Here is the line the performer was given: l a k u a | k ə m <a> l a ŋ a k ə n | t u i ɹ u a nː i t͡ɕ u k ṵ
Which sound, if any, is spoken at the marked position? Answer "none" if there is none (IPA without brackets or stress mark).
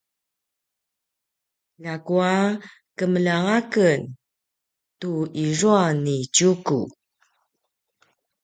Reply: ə